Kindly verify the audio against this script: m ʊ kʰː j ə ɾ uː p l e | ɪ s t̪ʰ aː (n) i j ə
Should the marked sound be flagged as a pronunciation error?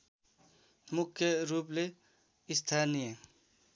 no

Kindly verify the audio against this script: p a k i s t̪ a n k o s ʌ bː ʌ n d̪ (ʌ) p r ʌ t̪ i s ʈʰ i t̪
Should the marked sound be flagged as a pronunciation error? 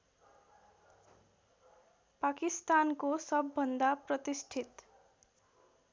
yes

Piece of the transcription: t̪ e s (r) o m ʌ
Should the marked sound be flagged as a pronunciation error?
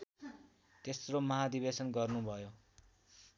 no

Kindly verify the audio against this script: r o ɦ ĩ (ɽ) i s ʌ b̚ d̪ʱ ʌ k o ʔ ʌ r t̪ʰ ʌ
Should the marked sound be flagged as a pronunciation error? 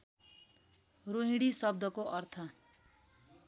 no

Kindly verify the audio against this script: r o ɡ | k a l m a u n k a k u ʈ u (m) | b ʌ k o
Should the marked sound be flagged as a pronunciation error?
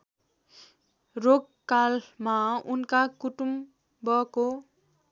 no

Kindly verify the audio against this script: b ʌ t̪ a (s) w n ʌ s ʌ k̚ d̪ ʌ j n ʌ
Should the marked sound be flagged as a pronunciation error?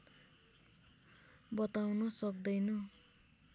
yes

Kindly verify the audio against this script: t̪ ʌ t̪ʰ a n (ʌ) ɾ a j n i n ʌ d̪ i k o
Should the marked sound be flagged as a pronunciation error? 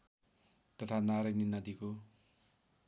yes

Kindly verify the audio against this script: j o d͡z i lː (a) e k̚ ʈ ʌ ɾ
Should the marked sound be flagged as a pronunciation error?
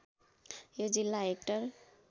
no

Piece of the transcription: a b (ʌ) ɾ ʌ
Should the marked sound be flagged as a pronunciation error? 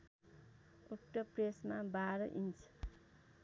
yes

